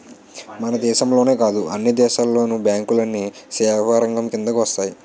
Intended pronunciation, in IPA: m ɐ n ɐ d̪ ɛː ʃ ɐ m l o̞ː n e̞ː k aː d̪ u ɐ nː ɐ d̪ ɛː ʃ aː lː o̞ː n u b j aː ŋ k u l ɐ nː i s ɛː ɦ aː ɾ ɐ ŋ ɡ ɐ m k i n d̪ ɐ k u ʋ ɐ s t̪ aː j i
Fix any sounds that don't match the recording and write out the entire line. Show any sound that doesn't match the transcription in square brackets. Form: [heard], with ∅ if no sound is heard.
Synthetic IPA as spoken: m ɐ n ɐ d̪ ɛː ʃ ɐ m l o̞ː n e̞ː k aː d̪ u ɐ nː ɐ d̪ ɛː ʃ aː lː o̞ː n u b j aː ŋ k u l ɐ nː i s ɛː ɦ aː ɾ ɐ ŋ ɡ ɐ m k i n d̪ ɐ k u ʋ ɐ s t̪ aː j i